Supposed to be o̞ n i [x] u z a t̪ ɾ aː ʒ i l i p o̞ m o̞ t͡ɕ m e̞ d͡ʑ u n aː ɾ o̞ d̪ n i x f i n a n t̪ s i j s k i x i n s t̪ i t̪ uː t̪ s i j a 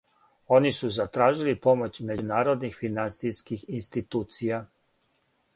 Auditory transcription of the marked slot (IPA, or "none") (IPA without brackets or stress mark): s